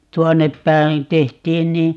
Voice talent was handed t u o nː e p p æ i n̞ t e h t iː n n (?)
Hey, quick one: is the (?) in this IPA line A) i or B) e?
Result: A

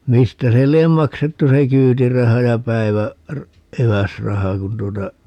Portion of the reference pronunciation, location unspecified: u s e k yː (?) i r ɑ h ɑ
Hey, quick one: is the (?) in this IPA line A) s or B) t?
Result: B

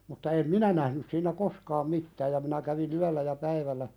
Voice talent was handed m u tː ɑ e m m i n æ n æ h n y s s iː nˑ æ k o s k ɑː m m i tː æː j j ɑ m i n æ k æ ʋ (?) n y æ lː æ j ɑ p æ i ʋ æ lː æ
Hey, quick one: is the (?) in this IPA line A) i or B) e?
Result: A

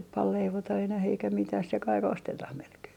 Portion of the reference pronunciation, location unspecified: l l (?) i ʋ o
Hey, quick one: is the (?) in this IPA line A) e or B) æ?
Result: A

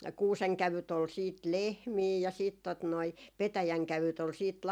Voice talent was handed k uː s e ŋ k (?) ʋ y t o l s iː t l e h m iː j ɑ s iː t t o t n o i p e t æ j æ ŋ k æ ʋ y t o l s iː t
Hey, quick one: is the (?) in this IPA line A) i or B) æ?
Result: B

